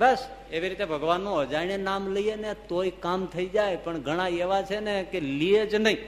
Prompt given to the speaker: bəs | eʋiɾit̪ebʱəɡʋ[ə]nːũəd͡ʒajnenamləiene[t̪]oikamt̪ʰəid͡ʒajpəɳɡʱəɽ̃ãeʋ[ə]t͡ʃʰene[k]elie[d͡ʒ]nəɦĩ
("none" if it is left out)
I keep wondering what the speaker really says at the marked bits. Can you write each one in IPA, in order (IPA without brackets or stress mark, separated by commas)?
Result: a, t̪, a, k, d͡ʒ